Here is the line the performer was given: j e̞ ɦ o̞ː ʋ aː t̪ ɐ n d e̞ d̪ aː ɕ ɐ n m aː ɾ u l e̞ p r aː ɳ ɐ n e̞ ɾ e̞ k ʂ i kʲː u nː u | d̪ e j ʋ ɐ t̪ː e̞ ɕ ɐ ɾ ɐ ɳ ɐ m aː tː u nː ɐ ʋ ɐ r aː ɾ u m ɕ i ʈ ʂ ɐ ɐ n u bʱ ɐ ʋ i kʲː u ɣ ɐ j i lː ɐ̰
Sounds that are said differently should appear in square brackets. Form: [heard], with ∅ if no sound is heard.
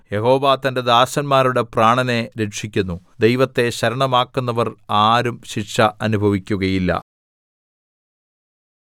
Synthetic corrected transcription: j e̞ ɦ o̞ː ʋ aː t̪ ɐ n d e̞ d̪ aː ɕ ɐ n m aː ɾ u [ɽ] e̞ p r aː ɳ ɐ n e̞ ɾ e̞ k ʂ i kʲː u nː u | d̪ e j ʋ ɐ t̪ː e̞ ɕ ɐ ɾ ɐ ɳ ɐ m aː [kː] u nː ɐ ʋ ɐ r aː ɾ u m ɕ i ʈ ʂ ɐ ɐ n u bʱ ɐ ʋ i kʲː u ɣ ɐ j i lː ɐ̰